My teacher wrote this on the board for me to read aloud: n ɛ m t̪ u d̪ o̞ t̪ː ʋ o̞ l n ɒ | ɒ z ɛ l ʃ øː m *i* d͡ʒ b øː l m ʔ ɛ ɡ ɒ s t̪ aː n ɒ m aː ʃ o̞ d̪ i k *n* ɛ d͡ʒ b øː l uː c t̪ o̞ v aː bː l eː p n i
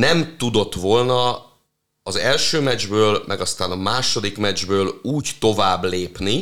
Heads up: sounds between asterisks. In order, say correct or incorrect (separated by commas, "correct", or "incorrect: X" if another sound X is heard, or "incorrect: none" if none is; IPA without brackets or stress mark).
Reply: incorrect: ɛ, incorrect: m